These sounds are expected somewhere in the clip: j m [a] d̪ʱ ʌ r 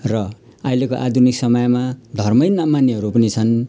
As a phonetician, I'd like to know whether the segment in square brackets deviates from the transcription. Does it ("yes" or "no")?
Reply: no